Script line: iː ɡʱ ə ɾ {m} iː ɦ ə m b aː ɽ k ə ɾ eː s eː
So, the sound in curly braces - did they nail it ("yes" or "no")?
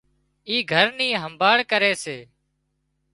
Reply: no